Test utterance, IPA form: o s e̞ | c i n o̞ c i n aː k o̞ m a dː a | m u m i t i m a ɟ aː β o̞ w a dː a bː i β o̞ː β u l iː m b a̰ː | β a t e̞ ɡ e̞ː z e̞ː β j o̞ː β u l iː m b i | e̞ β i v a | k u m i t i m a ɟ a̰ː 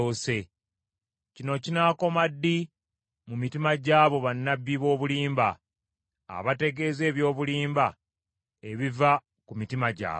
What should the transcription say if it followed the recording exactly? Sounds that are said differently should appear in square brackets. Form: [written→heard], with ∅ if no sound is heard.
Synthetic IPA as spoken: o s e̞ | c i n o̞ c i n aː k o̞ m a dː [a→i] | m u m i t i m a ɟ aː β o̞ [w→β] a [dː→nː] a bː i β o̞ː β u l iː m b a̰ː | β a t e̞ ɡ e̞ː z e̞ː β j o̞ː β u l iː m b [i→a] | e̞ β i v a | k u m i t i m a ɟ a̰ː